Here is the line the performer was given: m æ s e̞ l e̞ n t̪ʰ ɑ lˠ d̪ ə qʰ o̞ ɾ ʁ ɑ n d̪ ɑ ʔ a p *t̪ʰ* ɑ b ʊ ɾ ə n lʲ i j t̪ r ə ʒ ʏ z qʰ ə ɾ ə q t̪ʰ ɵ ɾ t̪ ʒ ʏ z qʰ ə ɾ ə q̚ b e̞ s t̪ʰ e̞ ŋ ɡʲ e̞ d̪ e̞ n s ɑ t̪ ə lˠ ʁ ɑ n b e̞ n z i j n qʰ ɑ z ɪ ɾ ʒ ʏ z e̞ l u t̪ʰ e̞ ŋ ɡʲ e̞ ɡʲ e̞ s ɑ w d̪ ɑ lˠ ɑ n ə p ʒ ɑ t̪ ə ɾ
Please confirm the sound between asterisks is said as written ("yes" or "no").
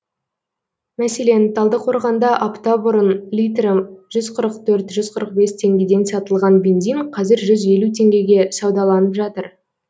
no